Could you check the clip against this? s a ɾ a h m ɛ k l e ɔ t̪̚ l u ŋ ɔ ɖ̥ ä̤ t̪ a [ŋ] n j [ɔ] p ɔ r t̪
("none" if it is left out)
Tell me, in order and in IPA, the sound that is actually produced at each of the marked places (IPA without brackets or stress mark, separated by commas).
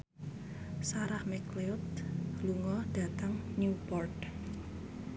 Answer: ŋ, u